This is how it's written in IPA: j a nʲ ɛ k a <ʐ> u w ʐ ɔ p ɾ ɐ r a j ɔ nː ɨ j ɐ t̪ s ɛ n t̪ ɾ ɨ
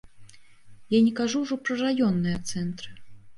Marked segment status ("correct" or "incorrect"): correct